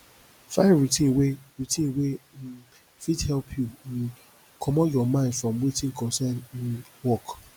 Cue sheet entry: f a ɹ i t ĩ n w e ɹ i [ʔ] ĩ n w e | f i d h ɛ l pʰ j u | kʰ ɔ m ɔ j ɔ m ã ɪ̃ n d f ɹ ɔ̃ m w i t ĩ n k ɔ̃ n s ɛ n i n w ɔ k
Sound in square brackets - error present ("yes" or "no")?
yes